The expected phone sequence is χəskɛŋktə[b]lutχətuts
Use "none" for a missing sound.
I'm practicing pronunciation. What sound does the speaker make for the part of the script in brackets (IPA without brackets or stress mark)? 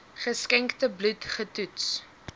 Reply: b